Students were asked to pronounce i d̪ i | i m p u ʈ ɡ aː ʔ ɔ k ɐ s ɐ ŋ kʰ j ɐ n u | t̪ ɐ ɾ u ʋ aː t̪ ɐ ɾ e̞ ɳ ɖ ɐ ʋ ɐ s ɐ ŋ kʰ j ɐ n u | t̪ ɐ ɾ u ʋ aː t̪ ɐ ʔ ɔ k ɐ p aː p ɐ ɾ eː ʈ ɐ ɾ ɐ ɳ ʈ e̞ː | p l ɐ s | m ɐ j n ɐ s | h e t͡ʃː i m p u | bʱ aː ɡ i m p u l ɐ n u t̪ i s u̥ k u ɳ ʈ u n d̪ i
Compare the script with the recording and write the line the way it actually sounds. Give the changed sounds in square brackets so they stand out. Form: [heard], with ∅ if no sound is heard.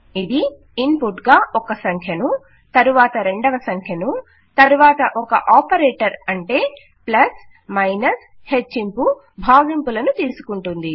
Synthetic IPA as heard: i d̪ i | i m p u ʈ ɡ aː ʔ ɔ k ɐ s ɐ ŋ kʰ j ɐ n u | t̪ ɐ ɾ u ʋ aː t̪ ɐ ɾ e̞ ɳ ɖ ɐ ʋ ɐ s ɐ ŋ kʰ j ɐ n u | t̪ ɐ ɾ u ʋ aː t̪ ɐ ʔ ɔ k ɐ [ʔ] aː p ɐ ɾ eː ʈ ɐ ɾ ɐ ɳ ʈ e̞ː | p l ɐ s | m ɐ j n ɐ s | h e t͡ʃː i m p u | bʱ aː ɡ i m p u l ɐ n u t̪ [iː] s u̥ k u ɳ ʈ u n d̪ i